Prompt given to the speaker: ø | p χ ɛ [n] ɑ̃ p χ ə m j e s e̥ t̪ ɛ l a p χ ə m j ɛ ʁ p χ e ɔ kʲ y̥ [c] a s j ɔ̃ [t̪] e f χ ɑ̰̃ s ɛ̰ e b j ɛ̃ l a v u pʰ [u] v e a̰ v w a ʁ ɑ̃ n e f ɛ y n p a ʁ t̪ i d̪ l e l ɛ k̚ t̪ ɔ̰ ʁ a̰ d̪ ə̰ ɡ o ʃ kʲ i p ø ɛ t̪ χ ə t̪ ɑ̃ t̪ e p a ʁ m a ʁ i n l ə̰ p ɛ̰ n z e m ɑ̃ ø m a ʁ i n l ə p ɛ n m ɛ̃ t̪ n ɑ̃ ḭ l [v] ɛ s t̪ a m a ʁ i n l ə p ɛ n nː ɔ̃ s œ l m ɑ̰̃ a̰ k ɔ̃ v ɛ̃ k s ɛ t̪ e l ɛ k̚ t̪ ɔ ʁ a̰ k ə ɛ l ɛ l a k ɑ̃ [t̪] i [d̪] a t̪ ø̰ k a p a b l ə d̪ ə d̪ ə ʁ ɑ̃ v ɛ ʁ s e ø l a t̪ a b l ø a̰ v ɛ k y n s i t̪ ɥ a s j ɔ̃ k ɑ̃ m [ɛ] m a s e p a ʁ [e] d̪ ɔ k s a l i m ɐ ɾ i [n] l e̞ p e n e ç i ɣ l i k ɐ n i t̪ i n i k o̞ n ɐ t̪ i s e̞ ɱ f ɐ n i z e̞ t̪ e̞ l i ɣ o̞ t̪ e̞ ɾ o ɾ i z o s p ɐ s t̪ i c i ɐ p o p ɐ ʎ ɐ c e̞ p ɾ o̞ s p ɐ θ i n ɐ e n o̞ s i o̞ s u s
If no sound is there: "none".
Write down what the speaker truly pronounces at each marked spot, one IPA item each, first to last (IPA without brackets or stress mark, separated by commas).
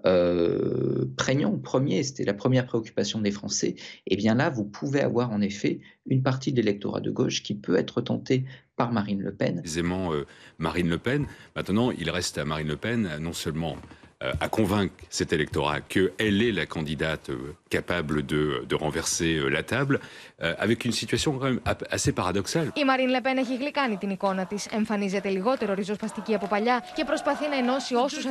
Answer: ɲ, p, d̪, u, ʁ, d̪, d̪, ɛ, a, n